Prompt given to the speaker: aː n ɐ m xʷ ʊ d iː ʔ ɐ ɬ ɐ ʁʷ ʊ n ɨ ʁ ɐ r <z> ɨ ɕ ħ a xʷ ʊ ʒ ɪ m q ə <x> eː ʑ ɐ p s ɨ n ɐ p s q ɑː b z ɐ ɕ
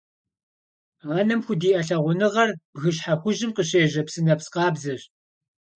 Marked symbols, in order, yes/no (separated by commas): no, no